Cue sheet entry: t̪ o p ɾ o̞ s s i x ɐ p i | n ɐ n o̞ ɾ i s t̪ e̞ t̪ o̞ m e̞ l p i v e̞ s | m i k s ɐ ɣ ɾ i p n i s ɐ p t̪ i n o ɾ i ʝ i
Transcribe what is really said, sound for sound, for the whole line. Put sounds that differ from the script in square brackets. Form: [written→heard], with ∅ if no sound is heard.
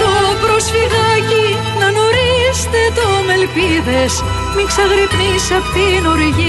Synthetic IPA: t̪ o p ɾ o̞ s [s→f] i [x→ɣ] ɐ [p→c] i | n ɐ n o̞ ɾ i s t̪ e̞ t̪ o̞ m e̞ l p i [v→ð] e̞ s | m i k s ɐ ɣ ɾ i p n i s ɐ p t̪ i n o ɾ i ʝ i